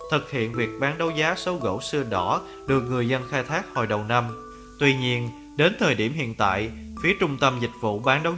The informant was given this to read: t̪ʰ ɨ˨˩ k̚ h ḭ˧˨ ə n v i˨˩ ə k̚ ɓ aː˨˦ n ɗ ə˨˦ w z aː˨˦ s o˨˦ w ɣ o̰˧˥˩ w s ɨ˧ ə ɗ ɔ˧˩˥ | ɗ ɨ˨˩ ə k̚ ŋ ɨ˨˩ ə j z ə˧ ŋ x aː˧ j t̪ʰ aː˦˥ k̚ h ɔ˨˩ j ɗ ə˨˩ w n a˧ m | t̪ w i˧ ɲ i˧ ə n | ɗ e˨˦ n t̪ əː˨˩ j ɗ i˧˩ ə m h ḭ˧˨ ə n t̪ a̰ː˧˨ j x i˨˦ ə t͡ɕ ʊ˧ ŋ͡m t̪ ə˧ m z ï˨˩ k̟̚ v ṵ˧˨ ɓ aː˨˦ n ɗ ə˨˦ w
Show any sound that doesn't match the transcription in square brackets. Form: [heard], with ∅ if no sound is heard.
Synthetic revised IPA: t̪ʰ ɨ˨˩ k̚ h ḭ˧˨ ə n v i˨˩ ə k̚ ɓ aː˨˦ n ɗ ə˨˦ w z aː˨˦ s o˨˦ w ɣ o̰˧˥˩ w s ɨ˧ ə ɗ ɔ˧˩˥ | ɗ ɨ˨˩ ə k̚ ŋ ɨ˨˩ ə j z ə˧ [n] x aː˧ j t̪ʰ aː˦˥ k̚ h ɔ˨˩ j ɗ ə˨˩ w n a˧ m | t̪ w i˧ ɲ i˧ ə n | ɗ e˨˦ n [t̪ʰ] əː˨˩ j ɗ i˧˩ ə m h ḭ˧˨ ə n t̪ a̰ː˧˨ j [f] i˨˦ ə t͡ɕ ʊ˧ ŋ͡m t̪ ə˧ m z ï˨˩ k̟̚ v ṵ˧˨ ɓ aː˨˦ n ɗ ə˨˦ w